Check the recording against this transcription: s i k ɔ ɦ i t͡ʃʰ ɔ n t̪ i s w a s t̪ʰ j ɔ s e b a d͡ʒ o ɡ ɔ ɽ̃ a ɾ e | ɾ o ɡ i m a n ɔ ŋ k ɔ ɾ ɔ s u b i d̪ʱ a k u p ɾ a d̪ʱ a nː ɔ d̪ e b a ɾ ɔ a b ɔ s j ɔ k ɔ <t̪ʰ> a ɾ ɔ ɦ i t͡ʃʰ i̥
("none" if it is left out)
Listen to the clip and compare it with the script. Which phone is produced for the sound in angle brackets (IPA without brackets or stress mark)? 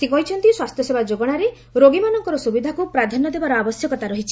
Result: t̪